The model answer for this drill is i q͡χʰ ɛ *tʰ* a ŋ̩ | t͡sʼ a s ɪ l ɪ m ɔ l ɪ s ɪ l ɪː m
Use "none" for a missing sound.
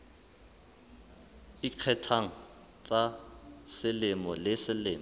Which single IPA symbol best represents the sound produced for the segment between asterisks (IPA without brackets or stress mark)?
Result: tʰ